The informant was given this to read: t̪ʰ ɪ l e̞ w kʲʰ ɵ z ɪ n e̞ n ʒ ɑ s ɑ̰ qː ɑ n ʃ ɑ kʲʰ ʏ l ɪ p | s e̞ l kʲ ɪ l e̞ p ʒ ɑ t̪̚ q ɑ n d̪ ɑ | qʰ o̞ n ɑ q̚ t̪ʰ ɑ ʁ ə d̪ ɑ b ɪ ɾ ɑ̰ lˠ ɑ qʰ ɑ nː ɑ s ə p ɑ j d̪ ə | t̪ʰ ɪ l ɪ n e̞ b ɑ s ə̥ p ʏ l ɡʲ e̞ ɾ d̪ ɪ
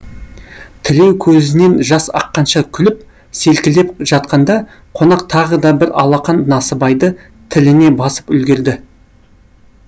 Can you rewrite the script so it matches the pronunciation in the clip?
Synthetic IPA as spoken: t̪ʰ ɪ l e̞ w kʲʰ ɵ z ɪ n e̞ n ʒ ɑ s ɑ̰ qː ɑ n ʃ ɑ kʲʰ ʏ l ɪ p | s e̞ l kʲ ɪ l e̞ p ʒ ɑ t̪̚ q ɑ n d̪ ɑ | qʰ o̞ n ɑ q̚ t̪ʰ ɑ ʁ ə d̪ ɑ b ɪ ɾ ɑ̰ lˠ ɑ q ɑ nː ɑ s ə b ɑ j d̪ ə | t̪ʰ ɪ l ɪ n e̞ b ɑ s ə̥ p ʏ l ɡʲ e̞ ɾ d̪ ɪ